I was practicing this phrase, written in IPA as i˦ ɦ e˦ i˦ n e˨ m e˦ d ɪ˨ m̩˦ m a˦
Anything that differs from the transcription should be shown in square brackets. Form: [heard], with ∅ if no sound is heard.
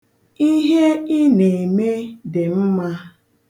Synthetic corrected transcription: i˦ ɦ e˦ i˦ n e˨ m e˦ d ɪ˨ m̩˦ m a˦